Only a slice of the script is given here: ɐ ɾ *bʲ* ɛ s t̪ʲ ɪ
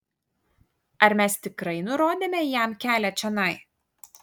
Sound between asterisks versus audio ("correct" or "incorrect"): incorrect